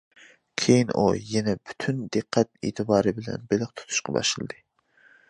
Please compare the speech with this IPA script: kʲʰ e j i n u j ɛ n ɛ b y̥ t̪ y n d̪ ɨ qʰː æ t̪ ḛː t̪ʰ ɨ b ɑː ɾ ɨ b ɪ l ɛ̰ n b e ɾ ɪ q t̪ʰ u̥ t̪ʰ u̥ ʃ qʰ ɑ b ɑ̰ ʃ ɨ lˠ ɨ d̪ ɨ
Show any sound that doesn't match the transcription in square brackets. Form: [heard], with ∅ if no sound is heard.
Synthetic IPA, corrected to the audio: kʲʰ e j i n u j ɛ n ɛ b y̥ [t̪ʰ] y n d̪ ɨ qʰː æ t̪ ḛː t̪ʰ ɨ b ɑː ɾ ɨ b ɪ l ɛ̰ n b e [l] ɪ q t̪ʰ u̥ t̪ʰ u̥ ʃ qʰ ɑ b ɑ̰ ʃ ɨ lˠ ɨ d̪ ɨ

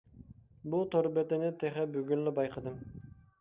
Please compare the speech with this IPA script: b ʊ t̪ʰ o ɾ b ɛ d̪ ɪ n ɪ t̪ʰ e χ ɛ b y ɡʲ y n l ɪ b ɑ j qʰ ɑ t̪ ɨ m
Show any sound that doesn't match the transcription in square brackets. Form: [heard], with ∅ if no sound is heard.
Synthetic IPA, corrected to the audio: b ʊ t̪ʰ o ɾ b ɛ [t̪] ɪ n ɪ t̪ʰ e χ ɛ b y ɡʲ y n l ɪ b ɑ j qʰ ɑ [d̪] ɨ m

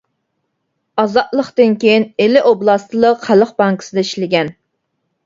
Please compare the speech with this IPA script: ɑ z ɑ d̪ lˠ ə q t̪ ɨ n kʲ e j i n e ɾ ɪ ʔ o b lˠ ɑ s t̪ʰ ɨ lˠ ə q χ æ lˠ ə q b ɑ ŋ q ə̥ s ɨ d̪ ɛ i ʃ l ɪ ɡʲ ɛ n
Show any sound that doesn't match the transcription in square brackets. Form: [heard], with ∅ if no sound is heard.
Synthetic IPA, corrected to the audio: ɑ z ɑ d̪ lˠ ə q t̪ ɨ n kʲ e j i n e [l] ɪ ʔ o b lˠ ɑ s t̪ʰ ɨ lˠ ə q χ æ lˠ ə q b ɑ ŋ [k] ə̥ s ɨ d̪ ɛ i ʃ l ɪ ɡʲ ɛ n

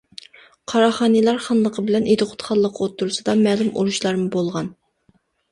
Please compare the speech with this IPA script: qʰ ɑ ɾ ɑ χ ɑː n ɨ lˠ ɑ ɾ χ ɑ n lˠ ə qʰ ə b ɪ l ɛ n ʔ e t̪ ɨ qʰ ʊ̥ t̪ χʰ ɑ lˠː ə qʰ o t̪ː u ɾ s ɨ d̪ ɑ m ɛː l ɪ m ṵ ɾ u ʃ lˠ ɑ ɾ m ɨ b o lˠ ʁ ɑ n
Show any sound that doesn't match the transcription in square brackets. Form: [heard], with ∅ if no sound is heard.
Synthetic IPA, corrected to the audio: qʰ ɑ ɾ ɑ χ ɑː n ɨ lˠ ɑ ɾ χ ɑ n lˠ ə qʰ ə b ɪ l ɛ n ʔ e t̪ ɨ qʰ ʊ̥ t̪ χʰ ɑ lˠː ə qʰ o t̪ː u ɾ s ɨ d̪ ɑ m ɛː l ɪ m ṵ ɾ u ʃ lˠ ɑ ɾ m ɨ b o lˠ ʁ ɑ n

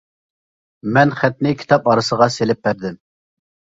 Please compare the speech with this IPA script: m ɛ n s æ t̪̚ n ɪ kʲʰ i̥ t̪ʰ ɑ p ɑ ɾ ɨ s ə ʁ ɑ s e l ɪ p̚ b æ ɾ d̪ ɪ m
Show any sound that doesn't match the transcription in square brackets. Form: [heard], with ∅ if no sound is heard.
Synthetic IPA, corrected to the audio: m ɛ n [χ] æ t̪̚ n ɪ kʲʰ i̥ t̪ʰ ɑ p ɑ ɾ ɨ s ə ʁ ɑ s e l ɪ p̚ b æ ɾ d̪ ɪ m

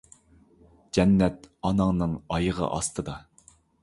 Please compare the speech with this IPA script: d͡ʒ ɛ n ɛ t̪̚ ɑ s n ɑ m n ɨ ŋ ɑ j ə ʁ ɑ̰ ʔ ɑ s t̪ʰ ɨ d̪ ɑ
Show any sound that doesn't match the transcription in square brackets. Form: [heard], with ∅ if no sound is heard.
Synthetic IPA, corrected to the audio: d͡ʒ ɛ [nː] ɛ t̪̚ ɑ [∅] n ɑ [ŋ] n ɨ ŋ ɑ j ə ʁ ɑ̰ ʔ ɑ s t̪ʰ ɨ d̪ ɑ

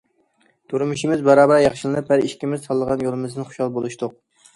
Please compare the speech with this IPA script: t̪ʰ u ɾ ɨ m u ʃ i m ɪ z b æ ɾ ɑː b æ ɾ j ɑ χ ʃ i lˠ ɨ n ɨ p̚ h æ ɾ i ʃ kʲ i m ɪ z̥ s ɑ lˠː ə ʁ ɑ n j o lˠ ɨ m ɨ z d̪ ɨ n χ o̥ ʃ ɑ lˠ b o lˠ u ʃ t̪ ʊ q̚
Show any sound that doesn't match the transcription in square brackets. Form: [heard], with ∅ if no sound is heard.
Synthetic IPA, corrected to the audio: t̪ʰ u ɾ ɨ m u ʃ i m ɪ z b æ ɾ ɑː b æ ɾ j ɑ χ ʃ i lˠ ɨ n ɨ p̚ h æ ɾ i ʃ kʲ i m ɪ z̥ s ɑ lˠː ə ʁ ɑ n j o lˠ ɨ m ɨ z d̪ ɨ n χ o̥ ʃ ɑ lˠ b o lˠ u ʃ t̪ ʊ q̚

